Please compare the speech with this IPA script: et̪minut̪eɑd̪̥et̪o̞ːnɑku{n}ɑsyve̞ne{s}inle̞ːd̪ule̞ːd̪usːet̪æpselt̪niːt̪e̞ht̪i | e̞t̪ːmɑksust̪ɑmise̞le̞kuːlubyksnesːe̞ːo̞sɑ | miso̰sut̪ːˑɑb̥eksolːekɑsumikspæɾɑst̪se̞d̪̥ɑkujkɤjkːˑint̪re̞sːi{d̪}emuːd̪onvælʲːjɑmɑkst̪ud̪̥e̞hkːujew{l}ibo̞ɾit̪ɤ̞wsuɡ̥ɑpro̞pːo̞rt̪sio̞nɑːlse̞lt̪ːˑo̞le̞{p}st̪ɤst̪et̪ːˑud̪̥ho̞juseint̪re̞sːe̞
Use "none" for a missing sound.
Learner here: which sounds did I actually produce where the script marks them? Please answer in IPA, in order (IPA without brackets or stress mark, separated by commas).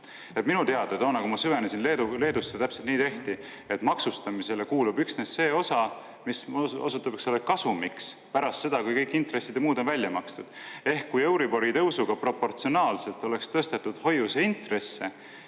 m, s, d̪, ɾ, k